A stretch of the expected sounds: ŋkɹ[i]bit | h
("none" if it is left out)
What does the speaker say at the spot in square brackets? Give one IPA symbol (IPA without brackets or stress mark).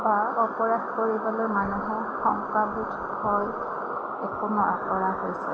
a